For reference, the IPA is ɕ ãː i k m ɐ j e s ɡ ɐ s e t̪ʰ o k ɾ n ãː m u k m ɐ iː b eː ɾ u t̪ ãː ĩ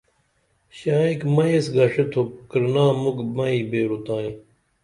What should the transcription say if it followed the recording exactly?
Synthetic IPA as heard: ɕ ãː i k m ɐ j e s ɡ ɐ ʂ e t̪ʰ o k ɾ n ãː m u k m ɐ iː b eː ɾ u t̪ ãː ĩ